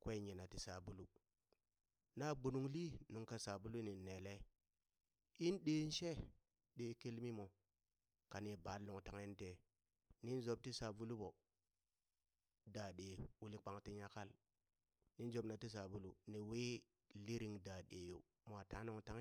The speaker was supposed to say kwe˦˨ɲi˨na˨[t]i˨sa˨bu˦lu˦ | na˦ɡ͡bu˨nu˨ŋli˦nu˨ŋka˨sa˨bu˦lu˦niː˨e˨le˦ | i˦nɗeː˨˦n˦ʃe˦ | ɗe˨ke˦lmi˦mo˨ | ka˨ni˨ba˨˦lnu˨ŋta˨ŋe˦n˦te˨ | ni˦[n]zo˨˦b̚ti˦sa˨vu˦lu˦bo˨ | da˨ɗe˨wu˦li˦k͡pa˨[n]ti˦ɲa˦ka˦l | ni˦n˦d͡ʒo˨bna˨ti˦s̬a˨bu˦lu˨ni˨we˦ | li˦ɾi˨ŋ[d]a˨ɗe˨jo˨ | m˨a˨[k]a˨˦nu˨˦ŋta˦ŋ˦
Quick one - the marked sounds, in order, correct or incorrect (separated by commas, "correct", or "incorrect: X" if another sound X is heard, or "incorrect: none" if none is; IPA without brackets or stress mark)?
correct, correct, incorrect: ŋ, correct, incorrect: t